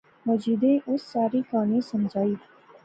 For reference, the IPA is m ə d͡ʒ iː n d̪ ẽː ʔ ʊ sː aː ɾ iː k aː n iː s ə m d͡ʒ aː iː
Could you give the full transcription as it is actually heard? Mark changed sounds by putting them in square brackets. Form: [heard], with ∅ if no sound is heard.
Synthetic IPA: m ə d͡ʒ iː [∅] d̪ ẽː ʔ ʊ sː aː ɾ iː k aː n iː s ə m d͡ʒ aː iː